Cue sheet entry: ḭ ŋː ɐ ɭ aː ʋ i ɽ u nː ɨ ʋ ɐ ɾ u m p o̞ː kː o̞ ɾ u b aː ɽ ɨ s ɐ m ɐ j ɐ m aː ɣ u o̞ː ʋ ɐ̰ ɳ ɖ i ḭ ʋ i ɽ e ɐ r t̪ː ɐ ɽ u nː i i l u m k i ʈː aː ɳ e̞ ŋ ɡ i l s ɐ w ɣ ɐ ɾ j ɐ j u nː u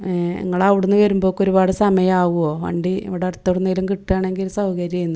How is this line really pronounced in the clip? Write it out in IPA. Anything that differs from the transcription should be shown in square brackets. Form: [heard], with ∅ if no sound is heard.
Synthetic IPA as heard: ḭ ŋː ɐ ɭ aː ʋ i ɽ u nː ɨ ʋ ɐ ɾ u m [b] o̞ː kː o̞ ɾ u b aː ɽ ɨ s ɐ m ɐ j ɐ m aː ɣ u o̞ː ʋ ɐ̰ ɳ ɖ i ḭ ʋ i ɽ e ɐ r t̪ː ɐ ɽ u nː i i l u m k i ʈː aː ɳ e̞ ŋ ɡ i l s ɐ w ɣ ɐ ɾ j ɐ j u nː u